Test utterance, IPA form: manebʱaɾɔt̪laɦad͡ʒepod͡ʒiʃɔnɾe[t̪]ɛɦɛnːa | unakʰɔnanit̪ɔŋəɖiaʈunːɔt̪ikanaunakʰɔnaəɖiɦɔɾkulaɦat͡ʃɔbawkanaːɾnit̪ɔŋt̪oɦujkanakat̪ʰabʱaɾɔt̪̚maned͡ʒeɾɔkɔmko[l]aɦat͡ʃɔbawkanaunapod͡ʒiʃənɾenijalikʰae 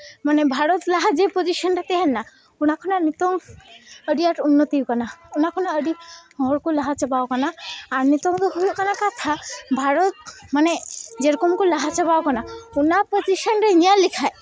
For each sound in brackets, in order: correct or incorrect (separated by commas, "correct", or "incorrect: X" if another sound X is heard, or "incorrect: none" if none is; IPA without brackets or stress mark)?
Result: correct, correct